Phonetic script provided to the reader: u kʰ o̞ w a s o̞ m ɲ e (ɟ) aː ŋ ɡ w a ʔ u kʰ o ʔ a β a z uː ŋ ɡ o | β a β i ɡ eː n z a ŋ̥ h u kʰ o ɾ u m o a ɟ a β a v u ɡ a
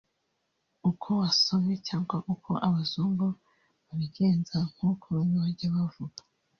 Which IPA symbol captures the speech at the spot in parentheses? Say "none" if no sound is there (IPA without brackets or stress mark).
c